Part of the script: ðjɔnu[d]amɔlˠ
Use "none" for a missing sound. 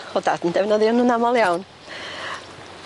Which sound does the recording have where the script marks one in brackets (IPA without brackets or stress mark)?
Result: n